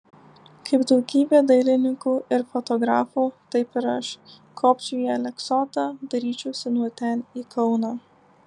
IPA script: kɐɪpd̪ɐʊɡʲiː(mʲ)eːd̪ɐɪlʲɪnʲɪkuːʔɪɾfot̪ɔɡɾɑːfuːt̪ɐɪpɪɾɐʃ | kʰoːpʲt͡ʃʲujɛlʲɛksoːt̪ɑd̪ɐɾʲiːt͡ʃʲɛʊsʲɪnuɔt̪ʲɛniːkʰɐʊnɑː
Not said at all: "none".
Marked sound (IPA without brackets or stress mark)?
bʲ